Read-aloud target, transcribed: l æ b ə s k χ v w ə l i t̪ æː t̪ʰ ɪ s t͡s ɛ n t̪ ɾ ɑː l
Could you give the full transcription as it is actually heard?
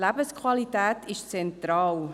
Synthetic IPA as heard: l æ b ə s k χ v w ɑ l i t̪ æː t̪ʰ ɪ ʃ t͡s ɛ n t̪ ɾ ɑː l